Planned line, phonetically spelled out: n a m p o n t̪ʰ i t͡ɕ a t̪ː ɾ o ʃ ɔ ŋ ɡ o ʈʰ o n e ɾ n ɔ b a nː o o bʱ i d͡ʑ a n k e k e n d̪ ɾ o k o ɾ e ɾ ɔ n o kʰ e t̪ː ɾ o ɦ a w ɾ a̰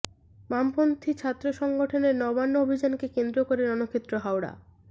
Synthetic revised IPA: m a m p o n t̪ʰ i t͡ɕʰ a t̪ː ɾ o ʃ ɔ ŋ ɡ o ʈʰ o n e ɾ n ɔ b a nː o o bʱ i d͡ʑ a n k e k e n d̪ ɾ o k o ɾ e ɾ ɔ n o kʰ e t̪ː ɾ o ɦ a w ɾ a̰